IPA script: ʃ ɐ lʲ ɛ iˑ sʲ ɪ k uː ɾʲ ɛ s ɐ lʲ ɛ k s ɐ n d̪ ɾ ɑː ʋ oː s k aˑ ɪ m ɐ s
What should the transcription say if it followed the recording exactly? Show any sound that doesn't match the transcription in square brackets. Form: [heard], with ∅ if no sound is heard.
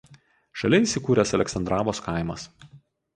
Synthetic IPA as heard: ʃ ɐ lʲ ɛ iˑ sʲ ɪ k uː ɾʲ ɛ s ɐ lʲ ɛ k s ɐ n d̪ ɾ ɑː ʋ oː s k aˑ ɪ m ɐ s